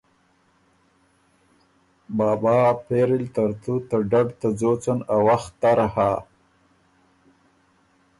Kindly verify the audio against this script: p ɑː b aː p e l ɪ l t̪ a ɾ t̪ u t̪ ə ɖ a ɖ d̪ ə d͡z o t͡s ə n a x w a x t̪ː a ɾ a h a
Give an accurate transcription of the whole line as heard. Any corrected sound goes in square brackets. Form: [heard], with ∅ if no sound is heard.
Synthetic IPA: [b] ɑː b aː p e [ɾ] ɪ l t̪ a ɾ t̪ u t̪ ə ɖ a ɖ [t̪] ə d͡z o t͡s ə n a [∅] w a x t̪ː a ɾ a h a